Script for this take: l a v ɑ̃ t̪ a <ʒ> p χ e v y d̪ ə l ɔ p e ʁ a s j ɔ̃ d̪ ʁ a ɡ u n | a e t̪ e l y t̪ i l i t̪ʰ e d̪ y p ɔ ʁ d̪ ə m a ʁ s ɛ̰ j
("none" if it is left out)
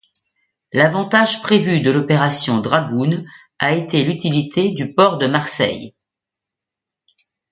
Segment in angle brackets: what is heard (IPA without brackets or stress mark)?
ʒ